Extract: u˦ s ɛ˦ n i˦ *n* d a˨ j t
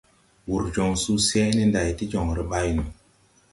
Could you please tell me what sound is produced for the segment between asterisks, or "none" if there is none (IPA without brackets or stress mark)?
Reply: n